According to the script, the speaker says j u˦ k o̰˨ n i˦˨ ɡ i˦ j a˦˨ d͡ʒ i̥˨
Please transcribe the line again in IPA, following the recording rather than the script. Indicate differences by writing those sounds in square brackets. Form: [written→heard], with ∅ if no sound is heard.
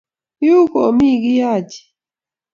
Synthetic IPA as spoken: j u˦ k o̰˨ [n→m] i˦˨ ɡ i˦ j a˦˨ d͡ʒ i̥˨